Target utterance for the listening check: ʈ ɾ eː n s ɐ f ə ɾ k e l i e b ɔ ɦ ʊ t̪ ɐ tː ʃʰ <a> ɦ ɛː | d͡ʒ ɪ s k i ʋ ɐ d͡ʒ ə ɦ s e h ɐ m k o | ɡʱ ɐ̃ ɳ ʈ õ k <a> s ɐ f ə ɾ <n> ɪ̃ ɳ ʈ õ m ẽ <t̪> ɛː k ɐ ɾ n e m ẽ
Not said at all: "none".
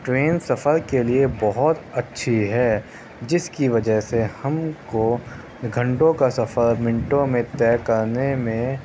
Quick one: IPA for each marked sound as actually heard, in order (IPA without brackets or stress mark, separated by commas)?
i, a, m, t̪